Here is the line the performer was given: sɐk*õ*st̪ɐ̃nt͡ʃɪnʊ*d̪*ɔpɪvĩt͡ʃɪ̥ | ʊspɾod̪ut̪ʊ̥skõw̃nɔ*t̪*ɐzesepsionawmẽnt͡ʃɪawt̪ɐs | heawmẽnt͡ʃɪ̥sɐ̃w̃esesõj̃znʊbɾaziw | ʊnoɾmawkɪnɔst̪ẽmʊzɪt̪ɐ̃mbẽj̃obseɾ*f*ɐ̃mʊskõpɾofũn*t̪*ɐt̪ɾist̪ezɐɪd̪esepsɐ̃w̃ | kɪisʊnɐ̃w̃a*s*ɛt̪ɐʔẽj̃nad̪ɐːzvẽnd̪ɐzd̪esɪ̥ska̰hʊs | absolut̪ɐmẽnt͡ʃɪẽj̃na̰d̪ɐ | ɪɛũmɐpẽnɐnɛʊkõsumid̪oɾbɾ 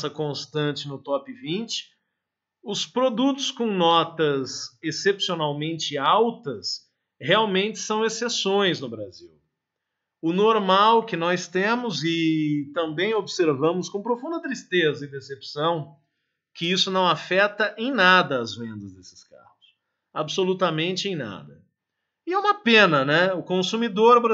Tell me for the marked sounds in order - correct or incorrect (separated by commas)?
correct, incorrect, correct, incorrect, incorrect, incorrect